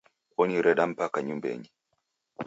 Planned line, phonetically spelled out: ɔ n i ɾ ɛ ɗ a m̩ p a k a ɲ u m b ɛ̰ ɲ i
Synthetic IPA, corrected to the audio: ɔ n i ɾ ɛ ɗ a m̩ p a k a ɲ u m b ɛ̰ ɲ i